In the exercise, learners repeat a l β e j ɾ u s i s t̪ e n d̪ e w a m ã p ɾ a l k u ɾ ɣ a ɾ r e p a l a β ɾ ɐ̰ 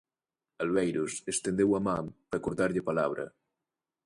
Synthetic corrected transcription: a l β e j ɾ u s e s t̪ e n d̪ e w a m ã p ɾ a k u ɾ ð a ɾ ʎ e p a l a β ɾ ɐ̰